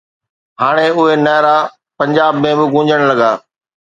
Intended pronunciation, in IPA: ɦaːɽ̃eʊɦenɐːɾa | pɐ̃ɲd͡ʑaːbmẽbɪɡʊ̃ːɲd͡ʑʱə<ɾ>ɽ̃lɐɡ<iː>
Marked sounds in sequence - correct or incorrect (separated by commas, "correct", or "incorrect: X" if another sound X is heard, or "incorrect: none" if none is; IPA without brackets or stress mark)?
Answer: incorrect: none, incorrect: aː